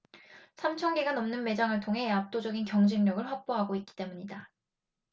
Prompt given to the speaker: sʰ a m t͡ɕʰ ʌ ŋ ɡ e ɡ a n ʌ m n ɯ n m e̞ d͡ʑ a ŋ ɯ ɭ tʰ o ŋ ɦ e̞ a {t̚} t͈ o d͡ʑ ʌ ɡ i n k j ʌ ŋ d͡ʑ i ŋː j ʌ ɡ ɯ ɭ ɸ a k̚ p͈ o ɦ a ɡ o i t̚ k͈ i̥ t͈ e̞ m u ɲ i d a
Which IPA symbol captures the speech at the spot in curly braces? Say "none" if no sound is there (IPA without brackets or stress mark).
p̚